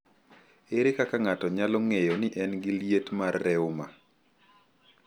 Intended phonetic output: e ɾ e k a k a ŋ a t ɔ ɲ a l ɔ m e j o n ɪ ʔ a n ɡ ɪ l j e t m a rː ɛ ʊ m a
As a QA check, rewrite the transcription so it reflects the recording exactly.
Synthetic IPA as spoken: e ɾ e k a k a ŋ a t ɔ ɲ a l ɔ ŋ e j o n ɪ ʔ ɛ n ɡ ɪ l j e t m a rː ɛ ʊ m a